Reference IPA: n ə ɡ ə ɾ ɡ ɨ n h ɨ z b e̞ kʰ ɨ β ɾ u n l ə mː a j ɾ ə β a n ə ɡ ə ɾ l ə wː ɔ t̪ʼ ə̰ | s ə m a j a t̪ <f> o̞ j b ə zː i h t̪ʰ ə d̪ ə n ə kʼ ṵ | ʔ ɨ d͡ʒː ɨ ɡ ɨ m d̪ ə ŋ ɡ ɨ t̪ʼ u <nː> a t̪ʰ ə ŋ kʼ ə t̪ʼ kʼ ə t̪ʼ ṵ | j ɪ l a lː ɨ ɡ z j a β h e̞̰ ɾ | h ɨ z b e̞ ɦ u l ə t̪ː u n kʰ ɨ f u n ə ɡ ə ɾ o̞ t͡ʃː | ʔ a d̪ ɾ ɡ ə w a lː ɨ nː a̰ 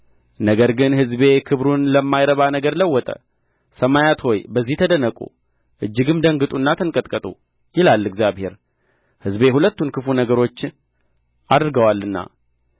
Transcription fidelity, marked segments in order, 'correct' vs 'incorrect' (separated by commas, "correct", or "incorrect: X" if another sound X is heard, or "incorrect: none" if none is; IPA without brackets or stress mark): incorrect: h, correct